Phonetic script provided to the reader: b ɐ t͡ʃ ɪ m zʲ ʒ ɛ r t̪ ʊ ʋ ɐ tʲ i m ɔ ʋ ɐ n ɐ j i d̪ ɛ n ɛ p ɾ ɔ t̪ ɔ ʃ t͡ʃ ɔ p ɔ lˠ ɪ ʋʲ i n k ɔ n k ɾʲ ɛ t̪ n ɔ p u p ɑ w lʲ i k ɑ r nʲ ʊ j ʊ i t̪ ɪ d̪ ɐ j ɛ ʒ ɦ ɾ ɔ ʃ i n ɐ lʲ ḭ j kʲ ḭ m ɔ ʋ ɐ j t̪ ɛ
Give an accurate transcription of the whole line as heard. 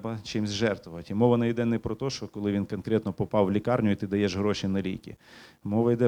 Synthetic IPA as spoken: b ɐ t͡ʃ ɪ m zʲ ʒ ɛ r t̪ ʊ ʋ ɐ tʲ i m ɔ ʋ ɐ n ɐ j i d̪ ɛ n ɛ p ɾ ɔ t̪ ɔ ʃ t͡ʃ ɔ k ɔ lˠ ɪ ʋʲ i n k ɔ n k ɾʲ ɛ t̪ n ɔ p ɔ p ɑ w lʲ i k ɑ r nʲ ʊ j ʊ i t̪ ɪ d̪ ɐ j ɛ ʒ ɦ ɾ ɔ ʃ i n ɐ lʲ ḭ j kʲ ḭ m ɔ ʋ ɐ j d̪ ɛ